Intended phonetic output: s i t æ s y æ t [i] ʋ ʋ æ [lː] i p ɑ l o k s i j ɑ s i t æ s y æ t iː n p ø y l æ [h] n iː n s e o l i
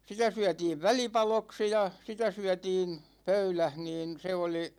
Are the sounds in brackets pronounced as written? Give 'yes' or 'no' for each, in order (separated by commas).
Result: no, no, yes